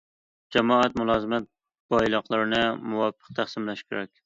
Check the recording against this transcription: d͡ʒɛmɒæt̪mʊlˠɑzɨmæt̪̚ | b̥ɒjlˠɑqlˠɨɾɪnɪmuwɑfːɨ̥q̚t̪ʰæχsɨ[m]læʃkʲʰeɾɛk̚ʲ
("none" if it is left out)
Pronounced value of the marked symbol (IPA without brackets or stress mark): m